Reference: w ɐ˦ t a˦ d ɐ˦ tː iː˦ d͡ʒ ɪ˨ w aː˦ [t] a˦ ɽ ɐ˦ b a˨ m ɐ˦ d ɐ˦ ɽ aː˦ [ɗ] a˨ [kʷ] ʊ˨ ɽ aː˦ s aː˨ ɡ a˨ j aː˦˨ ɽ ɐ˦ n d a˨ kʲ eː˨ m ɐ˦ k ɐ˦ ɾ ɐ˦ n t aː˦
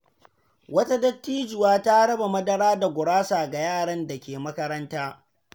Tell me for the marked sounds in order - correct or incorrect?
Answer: correct, incorrect: d, incorrect: ɡʷ

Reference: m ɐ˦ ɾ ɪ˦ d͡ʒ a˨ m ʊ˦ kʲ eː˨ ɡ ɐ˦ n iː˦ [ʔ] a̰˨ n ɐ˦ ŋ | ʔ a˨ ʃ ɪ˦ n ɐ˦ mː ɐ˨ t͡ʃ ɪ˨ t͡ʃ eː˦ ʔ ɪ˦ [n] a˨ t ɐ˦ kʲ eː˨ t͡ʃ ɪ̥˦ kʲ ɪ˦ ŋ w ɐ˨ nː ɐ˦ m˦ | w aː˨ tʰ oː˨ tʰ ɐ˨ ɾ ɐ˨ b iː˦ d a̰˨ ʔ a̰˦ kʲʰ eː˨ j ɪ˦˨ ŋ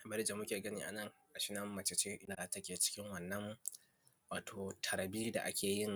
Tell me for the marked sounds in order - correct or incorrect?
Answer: correct, correct

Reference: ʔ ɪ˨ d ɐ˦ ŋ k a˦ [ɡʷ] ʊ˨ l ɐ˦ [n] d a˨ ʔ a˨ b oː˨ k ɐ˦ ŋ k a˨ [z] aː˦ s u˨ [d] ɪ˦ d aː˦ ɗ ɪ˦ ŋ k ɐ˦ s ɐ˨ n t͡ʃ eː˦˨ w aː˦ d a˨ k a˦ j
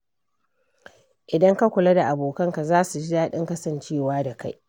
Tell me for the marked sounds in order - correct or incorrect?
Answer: incorrect: kʷ, incorrect: none, correct, incorrect: d͡ʒ

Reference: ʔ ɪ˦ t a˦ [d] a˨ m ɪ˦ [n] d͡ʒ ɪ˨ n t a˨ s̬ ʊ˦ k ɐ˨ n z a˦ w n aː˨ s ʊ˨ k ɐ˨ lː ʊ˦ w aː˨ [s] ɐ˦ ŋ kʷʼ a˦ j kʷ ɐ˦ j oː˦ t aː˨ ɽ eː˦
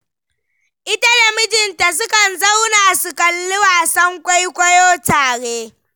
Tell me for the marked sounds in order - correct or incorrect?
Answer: correct, incorrect: none, correct

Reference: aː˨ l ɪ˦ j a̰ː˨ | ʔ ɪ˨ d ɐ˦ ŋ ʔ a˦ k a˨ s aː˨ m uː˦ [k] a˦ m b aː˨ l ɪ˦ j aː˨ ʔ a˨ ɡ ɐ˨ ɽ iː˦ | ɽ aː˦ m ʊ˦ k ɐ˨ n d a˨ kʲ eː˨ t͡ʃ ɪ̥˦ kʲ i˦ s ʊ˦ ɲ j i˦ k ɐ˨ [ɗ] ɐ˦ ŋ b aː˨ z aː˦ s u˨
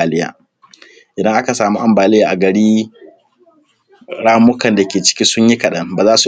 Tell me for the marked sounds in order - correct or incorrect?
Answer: incorrect: ʔ, correct

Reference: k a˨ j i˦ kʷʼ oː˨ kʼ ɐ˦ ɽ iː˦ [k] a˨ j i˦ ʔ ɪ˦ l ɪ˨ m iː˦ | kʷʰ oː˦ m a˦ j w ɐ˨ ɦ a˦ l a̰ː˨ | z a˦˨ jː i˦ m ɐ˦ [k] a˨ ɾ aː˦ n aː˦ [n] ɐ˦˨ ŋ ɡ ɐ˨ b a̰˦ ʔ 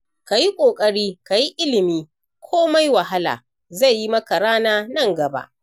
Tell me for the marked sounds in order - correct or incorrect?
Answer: correct, correct, correct

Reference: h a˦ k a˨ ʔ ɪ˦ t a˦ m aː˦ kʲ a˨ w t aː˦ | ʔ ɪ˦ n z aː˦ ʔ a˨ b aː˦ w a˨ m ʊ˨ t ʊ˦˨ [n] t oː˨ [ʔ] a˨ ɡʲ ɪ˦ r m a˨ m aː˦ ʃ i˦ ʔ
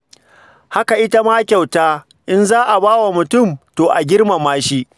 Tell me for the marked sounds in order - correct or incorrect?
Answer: incorrect: m, correct

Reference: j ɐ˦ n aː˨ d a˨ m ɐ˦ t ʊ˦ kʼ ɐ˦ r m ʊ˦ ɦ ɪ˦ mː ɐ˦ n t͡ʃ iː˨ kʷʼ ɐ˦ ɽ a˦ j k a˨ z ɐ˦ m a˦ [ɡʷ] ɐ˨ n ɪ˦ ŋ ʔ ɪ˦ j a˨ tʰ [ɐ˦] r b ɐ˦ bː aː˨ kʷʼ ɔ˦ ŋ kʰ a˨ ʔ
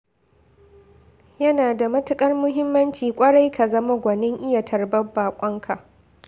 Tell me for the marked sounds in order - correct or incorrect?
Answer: correct, incorrect: ɐ˨

